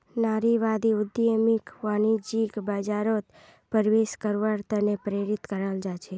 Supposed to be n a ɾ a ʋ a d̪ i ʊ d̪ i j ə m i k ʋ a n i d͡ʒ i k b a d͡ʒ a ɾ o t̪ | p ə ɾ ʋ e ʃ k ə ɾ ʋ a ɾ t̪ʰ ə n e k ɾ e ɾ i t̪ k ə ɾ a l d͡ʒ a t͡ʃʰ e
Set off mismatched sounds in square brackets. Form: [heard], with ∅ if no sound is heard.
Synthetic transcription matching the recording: n a ɾ [i] ʋ a d̪ i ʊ d̪ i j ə m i k ʋ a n i d͡ʒ i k b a d͡ʒ a ɾ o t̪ | p ə ɾ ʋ e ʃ k ə ɾ ʋ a ɾ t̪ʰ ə n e [p] ɾ e ɾ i t̪ k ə ɾ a l d͡ʒ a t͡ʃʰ e